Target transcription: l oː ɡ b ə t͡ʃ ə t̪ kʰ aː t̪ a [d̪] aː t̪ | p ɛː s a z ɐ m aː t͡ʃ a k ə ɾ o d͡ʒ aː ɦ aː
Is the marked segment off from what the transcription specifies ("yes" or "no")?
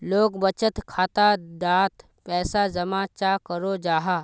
no